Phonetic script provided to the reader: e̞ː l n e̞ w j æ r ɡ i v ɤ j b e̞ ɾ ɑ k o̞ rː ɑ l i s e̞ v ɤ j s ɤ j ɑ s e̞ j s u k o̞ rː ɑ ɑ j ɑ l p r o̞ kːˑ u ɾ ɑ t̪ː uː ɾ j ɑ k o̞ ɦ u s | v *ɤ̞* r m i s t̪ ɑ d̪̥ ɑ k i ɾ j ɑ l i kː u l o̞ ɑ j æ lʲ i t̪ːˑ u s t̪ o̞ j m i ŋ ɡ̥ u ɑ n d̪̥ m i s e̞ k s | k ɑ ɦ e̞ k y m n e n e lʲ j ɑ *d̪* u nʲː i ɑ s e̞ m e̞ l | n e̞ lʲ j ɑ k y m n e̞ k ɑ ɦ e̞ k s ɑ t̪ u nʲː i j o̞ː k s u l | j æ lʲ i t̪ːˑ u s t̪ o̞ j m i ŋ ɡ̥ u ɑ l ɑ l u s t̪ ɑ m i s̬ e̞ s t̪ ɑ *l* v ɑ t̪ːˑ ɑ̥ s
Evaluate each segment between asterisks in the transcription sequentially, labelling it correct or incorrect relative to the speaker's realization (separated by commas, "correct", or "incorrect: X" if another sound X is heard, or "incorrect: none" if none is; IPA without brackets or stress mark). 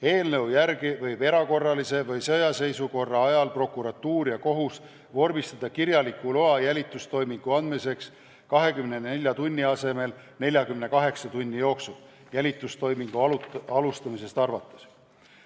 incorrect: o̞, incorrect: t̪, incorrect: r